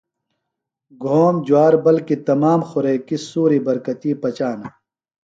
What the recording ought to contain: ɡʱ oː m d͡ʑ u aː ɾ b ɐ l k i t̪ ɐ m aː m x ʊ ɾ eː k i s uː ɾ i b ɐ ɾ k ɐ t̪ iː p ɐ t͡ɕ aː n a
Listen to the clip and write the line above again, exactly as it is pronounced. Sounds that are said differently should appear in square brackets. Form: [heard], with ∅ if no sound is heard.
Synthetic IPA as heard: ɡʱ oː m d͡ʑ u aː ɾ b ɐ l k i t̪ ɐ m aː m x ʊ ɾ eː k i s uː ɾ i b ɐ ɾ k ɐ t̪ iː p ɐ t͡ɕ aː n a